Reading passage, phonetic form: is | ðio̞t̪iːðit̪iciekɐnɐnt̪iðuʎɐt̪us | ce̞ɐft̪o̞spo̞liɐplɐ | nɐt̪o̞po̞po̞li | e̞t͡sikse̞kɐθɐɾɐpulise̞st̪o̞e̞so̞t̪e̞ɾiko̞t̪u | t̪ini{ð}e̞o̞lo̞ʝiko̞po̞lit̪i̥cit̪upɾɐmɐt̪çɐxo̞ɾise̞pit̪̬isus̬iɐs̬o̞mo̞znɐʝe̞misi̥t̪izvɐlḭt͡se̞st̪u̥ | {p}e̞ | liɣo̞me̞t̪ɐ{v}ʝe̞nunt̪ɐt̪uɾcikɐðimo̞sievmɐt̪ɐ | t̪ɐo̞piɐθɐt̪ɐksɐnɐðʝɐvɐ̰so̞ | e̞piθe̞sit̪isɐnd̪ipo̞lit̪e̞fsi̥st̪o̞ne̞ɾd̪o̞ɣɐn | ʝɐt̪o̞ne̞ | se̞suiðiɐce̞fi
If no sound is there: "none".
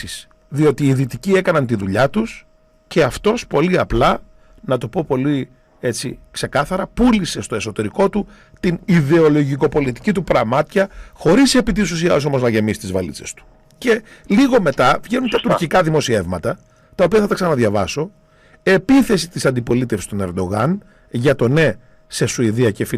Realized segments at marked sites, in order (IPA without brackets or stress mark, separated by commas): ð, c, v